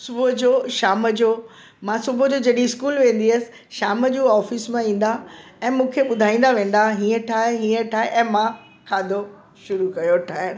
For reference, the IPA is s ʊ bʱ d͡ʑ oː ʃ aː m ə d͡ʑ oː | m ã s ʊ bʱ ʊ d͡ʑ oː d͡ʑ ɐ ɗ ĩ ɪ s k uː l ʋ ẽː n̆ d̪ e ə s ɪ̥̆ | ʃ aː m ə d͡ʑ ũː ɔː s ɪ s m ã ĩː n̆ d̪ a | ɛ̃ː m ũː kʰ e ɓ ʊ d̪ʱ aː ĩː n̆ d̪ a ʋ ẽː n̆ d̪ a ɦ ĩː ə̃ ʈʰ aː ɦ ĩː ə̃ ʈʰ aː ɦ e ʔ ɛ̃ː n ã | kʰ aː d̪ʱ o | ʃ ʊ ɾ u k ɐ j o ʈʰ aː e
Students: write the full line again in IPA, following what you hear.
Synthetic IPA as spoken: s ʊ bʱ d͡ʑ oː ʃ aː m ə d͡ʑ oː | m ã s ʊ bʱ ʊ d͡ʑ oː d͡ʑ ɐ ɗ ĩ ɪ s k uː l ʋ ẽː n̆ d̪ i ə s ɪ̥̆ | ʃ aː m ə d͡ʑ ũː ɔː f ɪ s m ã ĩː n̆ d̪ a | ɛ̃ː m ũː kʰ e ɓ ʊ d̪ʱ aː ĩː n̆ d̪ a ʋ ẽː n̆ d̪ a ɦ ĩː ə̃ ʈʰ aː ɦ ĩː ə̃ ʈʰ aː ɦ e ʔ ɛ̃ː m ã | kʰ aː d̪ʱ o | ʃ ʊ ɾ u k ɐ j o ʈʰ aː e